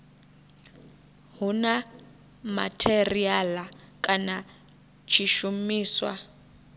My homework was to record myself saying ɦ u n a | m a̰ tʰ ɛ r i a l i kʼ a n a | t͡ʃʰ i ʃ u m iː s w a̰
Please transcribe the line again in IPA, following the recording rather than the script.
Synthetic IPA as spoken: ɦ u n a | m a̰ tʰ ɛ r i a l a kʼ a n a | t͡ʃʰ i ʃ u m iː s w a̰